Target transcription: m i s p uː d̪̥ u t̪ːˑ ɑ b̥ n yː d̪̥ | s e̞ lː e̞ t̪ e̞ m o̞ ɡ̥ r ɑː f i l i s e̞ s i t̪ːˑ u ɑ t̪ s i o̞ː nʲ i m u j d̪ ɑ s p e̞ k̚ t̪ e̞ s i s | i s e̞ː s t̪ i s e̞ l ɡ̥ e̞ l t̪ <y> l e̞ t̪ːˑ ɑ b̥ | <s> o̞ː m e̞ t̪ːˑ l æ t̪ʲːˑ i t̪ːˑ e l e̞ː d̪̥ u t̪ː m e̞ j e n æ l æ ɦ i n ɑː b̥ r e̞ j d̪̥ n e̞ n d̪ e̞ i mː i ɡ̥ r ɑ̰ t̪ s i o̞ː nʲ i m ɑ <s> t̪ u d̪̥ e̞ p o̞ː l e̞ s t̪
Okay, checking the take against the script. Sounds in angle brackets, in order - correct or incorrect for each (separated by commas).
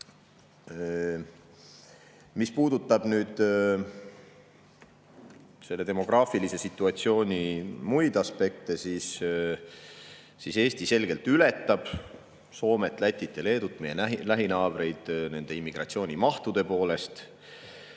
correct, correct, incorrect